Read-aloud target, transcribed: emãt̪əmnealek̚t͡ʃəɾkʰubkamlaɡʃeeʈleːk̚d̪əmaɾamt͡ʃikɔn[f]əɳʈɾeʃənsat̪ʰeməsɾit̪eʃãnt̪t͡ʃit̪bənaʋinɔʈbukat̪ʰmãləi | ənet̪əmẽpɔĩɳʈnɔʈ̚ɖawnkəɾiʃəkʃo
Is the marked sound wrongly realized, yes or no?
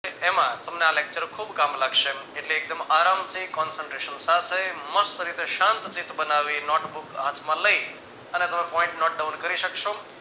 yes